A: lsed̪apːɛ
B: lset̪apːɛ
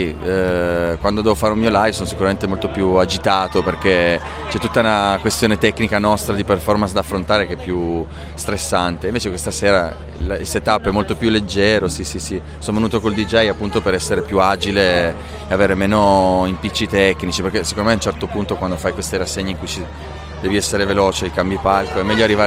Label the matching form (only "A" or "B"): B